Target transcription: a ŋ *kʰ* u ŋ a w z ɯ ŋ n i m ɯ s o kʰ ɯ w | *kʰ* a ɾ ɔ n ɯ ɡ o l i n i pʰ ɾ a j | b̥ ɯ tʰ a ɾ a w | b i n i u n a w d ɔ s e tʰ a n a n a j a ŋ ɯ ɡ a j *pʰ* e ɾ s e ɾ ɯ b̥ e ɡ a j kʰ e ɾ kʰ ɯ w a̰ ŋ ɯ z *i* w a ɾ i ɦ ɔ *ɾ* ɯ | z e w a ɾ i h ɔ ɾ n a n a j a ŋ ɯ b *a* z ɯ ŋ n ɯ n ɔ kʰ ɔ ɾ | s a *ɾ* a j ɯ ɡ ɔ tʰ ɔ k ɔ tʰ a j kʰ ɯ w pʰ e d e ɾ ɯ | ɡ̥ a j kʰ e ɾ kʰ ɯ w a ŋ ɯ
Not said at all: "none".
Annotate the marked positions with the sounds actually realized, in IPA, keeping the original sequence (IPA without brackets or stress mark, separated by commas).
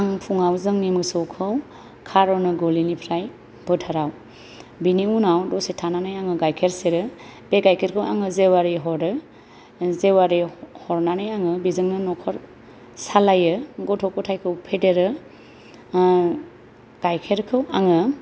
pʰ, kʰ, kʰ, e, ɾ, i, l